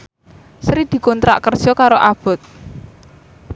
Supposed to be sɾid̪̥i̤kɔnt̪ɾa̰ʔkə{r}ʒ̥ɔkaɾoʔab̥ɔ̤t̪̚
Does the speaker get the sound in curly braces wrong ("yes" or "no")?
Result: no